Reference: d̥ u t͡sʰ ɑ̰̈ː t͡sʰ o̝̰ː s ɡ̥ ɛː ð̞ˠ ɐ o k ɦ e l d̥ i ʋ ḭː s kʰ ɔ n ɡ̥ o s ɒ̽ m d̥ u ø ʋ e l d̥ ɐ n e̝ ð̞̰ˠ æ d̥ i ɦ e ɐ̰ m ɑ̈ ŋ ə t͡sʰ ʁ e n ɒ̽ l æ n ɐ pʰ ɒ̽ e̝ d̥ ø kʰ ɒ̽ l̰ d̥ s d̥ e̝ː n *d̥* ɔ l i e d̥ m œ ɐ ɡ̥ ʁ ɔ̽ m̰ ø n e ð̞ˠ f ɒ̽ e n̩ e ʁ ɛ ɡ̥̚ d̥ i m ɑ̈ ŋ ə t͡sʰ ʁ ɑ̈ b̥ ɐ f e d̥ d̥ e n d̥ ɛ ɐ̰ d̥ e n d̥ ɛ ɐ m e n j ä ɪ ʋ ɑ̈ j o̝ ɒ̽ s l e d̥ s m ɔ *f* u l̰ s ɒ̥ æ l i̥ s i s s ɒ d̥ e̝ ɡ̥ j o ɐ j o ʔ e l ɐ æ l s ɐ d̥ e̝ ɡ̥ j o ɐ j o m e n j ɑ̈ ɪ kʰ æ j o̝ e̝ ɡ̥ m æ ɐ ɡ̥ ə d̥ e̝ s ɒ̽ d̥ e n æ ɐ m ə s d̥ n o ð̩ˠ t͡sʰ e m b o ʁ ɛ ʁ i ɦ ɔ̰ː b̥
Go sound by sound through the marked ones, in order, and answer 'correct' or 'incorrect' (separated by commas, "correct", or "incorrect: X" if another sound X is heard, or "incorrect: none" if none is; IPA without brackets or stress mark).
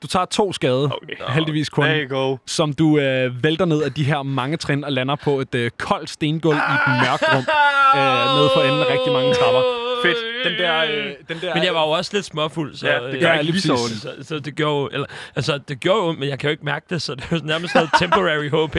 incorrect: ɡ̥, correct